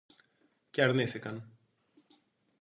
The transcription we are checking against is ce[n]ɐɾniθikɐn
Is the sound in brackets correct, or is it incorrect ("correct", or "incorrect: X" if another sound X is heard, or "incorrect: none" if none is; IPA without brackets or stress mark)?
incorrect: none